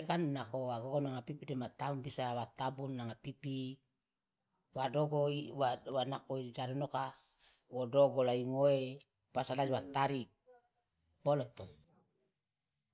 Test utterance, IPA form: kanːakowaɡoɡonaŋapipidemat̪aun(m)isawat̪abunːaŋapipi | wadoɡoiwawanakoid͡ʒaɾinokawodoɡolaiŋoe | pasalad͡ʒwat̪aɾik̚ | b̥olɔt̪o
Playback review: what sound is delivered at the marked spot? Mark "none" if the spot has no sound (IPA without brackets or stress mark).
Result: b